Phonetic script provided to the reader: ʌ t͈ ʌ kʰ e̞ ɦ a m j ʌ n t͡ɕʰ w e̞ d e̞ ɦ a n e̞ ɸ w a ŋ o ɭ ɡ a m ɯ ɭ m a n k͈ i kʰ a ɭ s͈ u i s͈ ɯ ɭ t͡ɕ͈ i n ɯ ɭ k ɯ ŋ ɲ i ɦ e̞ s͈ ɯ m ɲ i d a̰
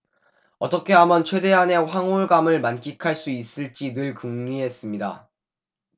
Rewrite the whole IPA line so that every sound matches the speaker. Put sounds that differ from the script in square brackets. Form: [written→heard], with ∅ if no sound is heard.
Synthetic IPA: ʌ t͈ ʌ kʰ e̞ ɦ a m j ʌ n t͡ɕʰ w e̞ d e̞ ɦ a n e̞ ɸ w a ŋ o ɭ ɡ a m ɯ ɭ m a n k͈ i kʰ a ɭ s͈ u i s͈ ɯ ɭ t͡ɕ͈ i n ɯ ɭ k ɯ ŋ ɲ i ɦ e̞ s͈ ɯ m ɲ i d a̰